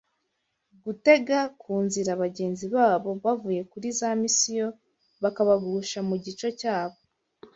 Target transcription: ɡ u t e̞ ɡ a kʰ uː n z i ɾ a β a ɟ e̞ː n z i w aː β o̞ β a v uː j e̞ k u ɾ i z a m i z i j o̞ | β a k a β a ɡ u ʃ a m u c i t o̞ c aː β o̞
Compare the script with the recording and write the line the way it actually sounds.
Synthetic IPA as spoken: ɡ u t e̞ ɡ a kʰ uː n z i ɾ a β a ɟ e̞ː n z i β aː β o̞ β a v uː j e̞ k u ɾ i z a m i s i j o̞ | β a k a β a ɡ u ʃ a m u ɟ i t͡ʃ o̞ c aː β o̞